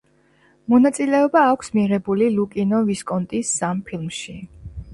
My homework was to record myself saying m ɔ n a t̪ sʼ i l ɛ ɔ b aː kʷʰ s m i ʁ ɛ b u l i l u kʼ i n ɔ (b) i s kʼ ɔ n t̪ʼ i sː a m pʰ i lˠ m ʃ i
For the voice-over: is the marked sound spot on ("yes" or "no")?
no